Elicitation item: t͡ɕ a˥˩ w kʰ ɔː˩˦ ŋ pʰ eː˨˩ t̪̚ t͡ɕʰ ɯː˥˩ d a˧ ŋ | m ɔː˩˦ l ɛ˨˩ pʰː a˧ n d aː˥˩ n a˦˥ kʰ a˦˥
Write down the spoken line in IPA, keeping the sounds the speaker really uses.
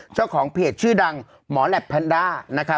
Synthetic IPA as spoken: t͡ɕ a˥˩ w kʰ ɔː˩˦ ŋ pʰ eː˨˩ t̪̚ t͡ɕʰ ɯː˥˩ d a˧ ŋ | m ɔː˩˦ l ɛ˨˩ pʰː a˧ n d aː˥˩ n a˦˥ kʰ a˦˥